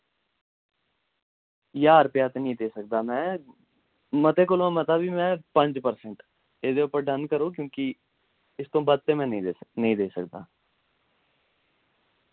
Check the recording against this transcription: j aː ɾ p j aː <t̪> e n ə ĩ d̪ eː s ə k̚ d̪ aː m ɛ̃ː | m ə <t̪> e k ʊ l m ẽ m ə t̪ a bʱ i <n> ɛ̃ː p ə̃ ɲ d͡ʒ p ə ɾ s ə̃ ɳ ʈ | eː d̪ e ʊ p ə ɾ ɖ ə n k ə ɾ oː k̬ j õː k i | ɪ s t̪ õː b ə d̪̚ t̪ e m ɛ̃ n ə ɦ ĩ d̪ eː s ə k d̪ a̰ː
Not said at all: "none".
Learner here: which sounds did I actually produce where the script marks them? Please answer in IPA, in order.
t̪, t̪, m

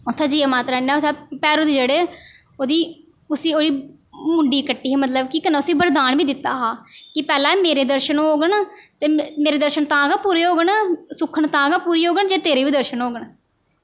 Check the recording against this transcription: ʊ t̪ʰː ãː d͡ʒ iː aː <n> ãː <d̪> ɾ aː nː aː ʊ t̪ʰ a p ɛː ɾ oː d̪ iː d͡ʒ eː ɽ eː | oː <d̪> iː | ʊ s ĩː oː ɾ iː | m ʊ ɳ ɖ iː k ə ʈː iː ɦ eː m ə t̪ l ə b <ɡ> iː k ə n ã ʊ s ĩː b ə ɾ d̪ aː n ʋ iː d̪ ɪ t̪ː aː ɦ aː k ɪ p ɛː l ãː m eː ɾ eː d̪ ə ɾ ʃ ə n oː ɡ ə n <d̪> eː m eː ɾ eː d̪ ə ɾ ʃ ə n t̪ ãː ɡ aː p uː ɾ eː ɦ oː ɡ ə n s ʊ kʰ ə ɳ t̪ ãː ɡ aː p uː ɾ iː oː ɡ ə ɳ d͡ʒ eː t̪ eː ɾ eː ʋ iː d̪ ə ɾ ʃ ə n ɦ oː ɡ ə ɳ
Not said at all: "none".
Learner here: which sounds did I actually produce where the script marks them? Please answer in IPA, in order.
m, t̪, d̪, k, t̪

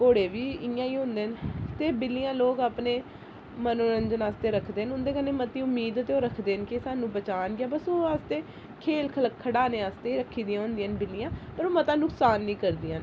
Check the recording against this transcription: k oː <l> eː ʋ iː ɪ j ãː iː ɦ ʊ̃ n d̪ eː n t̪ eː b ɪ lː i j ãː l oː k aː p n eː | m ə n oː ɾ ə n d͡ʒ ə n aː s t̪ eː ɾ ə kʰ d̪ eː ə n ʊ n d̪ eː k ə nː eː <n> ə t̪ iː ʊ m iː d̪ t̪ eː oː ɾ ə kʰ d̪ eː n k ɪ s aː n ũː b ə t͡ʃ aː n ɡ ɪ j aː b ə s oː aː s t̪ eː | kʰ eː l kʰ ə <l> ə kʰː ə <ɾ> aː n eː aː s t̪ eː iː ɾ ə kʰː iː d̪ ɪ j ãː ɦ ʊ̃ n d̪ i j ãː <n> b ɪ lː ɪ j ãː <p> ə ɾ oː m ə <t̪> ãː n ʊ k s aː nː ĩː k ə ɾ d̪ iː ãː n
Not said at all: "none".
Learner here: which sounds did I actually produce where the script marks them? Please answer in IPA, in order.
ɽ, m, l, ɽ, n, p, t̪

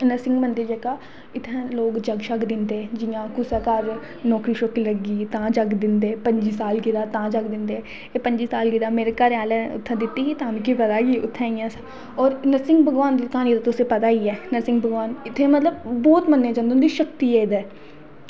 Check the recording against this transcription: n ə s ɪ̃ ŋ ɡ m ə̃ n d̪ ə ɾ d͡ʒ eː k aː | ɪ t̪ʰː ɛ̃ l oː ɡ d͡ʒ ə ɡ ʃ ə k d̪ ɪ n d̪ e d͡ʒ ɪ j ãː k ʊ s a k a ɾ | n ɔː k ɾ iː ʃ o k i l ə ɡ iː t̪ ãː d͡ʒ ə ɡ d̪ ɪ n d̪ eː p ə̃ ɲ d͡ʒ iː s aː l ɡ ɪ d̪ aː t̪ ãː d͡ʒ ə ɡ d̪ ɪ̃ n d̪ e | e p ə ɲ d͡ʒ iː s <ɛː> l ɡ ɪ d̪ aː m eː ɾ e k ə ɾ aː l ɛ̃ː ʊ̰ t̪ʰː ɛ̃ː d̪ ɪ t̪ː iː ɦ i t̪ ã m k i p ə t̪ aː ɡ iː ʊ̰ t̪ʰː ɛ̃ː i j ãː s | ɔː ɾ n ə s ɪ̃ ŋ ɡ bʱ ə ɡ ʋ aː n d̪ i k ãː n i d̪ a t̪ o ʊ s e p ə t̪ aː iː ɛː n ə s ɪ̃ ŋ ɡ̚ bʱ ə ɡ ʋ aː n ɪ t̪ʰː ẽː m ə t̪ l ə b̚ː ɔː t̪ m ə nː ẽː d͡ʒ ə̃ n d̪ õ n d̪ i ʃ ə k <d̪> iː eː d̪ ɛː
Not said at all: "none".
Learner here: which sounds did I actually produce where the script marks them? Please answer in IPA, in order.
aː, t̪

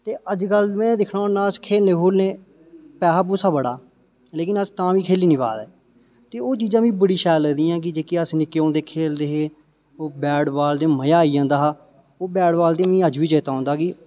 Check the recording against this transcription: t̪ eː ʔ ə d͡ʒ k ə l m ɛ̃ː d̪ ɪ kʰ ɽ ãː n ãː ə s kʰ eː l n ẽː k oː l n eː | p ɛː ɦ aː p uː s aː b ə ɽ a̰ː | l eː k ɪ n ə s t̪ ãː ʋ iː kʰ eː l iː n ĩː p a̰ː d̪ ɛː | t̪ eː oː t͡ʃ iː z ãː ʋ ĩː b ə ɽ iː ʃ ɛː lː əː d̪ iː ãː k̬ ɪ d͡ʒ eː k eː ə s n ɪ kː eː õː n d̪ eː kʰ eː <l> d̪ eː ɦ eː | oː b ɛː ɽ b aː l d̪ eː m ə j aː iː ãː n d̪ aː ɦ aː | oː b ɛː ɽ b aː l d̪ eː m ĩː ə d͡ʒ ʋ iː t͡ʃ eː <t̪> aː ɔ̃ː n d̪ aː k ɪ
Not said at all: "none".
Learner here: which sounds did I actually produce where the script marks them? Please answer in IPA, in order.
l, t̪

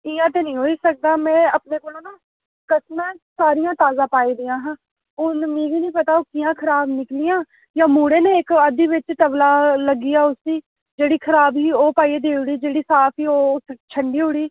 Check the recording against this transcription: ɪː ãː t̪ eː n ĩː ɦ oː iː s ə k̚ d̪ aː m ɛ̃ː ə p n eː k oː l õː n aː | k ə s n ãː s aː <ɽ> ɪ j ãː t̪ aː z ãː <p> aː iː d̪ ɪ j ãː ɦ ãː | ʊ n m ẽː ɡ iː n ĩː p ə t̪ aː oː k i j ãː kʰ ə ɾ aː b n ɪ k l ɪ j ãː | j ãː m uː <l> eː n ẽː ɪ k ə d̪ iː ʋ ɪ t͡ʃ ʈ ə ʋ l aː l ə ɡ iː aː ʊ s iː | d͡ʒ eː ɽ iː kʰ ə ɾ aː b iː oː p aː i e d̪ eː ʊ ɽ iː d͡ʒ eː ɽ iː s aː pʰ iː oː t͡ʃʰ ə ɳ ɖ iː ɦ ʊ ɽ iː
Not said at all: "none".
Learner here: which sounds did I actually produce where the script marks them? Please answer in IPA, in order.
ɾ, p, ɽ

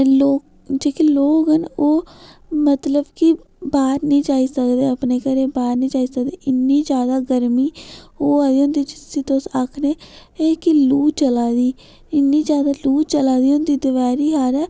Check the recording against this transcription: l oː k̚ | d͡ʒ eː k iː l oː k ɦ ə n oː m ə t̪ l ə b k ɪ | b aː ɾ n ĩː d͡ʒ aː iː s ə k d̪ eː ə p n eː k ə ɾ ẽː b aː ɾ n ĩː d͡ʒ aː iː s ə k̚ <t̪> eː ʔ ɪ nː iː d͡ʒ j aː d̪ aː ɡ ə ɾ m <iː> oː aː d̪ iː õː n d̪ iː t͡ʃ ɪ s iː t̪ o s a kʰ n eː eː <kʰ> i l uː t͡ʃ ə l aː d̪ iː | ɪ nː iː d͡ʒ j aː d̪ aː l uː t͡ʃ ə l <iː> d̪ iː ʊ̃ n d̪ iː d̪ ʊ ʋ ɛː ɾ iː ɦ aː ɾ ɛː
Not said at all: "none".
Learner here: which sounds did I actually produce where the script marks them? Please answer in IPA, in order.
d̪, iː, k, aː

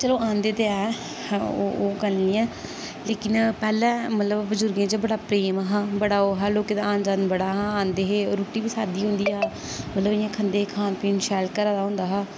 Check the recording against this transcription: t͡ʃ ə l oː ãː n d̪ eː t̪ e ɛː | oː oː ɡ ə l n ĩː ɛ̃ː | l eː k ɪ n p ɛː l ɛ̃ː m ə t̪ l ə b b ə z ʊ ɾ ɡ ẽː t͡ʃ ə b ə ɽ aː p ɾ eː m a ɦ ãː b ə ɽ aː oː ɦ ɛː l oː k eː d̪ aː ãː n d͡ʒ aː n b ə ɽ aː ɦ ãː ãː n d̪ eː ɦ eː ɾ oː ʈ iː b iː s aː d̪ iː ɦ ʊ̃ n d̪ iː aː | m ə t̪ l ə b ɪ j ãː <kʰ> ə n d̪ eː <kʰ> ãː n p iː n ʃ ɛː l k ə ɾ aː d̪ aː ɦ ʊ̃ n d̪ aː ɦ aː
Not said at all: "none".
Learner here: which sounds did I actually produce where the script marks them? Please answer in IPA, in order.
kʰ, kʰ

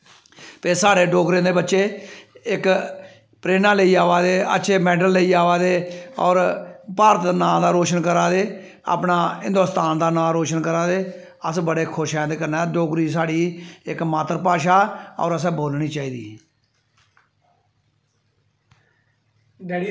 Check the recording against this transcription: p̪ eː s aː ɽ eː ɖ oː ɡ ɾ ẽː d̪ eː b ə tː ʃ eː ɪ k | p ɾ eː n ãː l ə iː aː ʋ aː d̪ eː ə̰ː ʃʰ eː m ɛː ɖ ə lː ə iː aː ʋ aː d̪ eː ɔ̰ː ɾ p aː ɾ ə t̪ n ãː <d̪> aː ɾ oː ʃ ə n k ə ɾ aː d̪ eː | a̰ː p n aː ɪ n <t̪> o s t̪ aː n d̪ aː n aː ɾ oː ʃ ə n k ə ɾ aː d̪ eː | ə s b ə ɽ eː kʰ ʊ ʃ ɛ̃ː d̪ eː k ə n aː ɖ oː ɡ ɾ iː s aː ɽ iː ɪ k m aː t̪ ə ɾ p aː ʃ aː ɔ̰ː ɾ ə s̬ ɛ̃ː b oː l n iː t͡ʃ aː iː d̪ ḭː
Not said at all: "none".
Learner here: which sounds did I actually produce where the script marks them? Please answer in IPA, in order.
d̪, d̪

